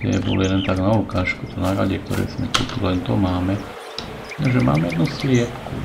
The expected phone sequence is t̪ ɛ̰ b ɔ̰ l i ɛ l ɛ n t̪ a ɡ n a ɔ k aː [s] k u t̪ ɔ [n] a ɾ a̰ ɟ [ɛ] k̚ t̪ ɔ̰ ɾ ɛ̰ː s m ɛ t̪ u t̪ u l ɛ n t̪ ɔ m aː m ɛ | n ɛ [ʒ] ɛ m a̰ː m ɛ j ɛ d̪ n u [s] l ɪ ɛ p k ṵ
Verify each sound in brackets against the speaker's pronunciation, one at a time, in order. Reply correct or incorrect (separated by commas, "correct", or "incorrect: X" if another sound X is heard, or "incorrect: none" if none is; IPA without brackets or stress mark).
incorrect: ʃ, correct, correct, correct, correct